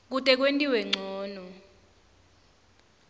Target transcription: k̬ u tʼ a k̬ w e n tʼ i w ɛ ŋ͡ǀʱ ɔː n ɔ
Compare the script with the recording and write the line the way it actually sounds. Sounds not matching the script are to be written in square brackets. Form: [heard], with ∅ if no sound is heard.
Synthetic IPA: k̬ u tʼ [ɛ] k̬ w e n tʼ i w ɛ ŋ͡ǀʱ ɔː n ɔ